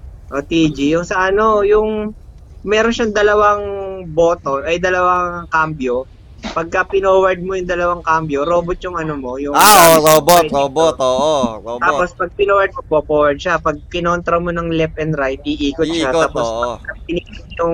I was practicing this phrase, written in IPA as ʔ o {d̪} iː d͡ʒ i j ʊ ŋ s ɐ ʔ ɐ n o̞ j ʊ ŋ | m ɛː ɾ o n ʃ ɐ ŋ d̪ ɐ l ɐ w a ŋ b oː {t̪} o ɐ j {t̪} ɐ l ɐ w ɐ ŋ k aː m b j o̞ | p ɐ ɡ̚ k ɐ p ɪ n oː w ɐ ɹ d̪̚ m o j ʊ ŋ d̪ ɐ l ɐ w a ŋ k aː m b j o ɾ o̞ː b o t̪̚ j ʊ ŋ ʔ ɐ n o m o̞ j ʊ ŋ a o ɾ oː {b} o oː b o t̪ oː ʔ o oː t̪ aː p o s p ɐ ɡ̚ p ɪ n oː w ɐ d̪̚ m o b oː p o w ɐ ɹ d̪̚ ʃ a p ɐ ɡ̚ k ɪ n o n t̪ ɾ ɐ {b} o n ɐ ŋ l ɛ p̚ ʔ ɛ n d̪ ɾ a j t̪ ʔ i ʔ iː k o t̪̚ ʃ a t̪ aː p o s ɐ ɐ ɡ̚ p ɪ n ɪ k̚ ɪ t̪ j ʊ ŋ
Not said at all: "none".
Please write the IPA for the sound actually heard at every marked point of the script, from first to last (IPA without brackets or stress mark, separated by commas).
t̪, t̪, d̪, b, m